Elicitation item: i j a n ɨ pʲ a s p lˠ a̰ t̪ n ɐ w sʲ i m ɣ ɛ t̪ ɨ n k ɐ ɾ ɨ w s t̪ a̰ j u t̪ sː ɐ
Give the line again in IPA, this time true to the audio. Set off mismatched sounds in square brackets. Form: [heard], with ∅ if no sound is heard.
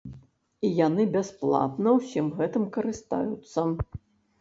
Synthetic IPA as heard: i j a n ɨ [bʲ] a s p lˠ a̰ t̪ n ɐ w sʲ i m ɣ ɛ t̪ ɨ [m] k ɐ ɾ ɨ [∅] s t̪ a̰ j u t̪ sː ɐ